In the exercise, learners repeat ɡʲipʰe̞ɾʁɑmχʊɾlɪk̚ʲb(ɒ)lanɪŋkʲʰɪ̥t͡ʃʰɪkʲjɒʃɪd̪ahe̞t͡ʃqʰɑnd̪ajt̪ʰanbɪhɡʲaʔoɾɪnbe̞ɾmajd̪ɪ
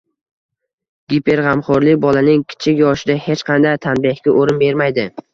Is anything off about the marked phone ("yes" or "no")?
no